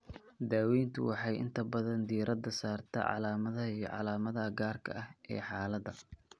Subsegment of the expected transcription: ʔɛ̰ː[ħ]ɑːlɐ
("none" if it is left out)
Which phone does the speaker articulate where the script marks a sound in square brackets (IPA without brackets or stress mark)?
ħ